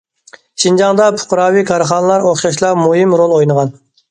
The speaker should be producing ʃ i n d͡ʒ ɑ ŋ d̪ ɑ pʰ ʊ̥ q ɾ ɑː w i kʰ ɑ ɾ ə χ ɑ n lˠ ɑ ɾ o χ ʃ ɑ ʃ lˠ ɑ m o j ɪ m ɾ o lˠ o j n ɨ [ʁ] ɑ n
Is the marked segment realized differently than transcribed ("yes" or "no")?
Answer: no